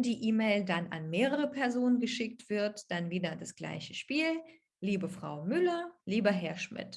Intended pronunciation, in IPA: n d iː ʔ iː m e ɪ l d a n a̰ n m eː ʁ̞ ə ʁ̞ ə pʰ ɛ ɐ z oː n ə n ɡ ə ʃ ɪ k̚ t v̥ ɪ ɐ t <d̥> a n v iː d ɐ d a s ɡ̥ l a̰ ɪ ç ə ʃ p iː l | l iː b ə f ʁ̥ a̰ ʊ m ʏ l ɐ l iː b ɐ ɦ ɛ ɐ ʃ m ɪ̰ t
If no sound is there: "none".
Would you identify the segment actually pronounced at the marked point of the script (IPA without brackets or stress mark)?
d̥